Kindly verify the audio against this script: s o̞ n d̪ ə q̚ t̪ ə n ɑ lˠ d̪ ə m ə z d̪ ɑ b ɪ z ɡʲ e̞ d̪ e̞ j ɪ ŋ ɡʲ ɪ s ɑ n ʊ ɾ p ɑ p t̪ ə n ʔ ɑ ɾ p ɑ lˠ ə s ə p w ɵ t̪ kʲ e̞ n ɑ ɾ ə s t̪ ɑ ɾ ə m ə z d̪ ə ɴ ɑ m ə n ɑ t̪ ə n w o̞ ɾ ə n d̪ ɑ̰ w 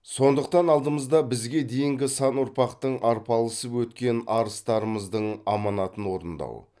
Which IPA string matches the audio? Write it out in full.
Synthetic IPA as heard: s o̞ n d̪ ə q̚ t̪ ɑ n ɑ lˠ d̪ ə m ə z d̪ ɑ b ɪ z ɡʲ e̞ d̪ e̞ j ɪ ŋ ɡʲ ɪ s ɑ n ʊ ɾ p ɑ q t̪ ə ɴ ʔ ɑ ɾ p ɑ lˠ ə s ə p w ɵ t̪ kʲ e̞ n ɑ ɾ ə s t̪ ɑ ɾ ə m ə z d̪ ə ɴ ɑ m ɑ n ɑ t̪ ə n w o̞ ɾ ə n d̪ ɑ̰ w